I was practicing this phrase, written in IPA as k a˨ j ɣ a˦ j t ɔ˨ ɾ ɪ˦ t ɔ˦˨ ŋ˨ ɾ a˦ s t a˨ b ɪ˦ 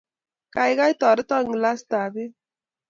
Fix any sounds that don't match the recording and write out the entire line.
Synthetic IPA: k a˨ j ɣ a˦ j t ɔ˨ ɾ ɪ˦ t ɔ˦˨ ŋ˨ l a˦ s t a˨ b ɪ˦